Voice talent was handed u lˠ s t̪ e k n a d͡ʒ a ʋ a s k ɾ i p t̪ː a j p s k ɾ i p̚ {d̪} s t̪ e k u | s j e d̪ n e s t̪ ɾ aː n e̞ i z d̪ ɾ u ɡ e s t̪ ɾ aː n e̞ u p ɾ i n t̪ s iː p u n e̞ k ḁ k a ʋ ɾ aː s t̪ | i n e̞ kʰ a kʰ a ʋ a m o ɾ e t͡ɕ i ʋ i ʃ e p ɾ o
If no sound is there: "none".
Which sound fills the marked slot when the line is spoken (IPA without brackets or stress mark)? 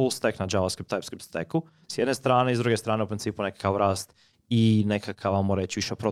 t̪